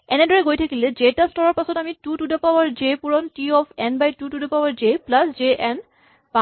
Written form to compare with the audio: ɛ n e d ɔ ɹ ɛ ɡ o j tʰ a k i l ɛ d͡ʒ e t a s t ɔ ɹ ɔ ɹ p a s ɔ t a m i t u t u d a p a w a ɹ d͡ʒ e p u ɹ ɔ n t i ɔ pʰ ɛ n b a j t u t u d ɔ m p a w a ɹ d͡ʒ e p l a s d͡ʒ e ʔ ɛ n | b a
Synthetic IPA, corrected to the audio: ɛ n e d ɔ ɹ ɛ ɡ o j tʰ a k i l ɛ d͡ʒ e t a s t ɔ ɹ ɔ ɹ p a s ɔ t a m i t u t u d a p a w a ɹ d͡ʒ e p u ɹ ɔ n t i ɔ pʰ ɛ n b a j t u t u d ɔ p a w a ɹ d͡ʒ e p l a s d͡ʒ e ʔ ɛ n | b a